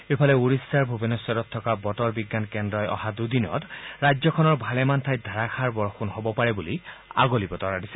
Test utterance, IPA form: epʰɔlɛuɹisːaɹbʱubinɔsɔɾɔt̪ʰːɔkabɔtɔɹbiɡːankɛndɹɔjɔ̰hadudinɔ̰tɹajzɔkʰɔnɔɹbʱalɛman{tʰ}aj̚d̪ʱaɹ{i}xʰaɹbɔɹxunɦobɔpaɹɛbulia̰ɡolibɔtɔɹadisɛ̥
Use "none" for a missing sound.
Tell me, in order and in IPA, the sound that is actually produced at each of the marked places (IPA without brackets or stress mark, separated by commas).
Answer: tʰ, a